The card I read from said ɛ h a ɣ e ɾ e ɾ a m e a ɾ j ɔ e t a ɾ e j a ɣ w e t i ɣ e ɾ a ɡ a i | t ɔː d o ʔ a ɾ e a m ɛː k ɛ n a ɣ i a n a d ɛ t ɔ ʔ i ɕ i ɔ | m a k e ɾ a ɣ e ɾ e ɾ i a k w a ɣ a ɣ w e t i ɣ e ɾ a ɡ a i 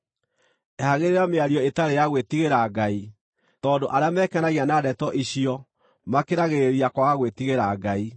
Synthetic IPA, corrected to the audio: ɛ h a ɣ e ɾ e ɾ a m e a ɾ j ɔ e t a ɾ e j a ɣ w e t i ɣ e ɾ a ɡ a i | t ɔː d o ʔ a ɾ e a m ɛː k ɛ n a ɣ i a n a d ɛ t ɔ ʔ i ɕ i ɔ | m a k e ɾ a ɣ e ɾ e ɾ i a k w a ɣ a ɣ w e t i ɣ e ɾ a ɡ a i